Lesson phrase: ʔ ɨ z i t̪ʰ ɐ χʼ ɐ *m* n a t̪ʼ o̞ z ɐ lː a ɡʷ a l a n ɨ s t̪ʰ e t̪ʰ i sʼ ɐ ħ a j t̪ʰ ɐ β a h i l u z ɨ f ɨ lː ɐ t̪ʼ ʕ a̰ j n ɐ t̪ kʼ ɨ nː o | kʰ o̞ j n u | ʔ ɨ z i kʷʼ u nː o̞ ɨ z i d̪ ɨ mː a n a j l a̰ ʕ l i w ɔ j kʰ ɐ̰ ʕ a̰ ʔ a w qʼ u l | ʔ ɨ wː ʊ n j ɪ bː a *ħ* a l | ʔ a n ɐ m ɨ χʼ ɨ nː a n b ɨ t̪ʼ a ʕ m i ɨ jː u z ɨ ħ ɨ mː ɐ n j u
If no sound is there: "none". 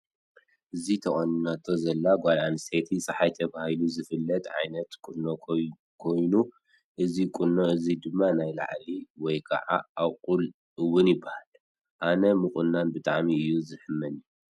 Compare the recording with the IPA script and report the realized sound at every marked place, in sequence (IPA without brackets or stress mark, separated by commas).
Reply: n, h